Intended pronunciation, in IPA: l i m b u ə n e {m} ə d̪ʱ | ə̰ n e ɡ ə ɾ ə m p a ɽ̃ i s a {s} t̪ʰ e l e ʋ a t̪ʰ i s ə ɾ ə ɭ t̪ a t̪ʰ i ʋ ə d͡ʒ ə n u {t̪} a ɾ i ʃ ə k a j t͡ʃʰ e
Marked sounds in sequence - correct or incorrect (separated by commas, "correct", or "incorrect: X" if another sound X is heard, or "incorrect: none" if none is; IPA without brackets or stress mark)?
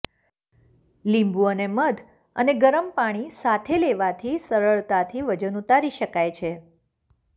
correct, incorrect: none, correct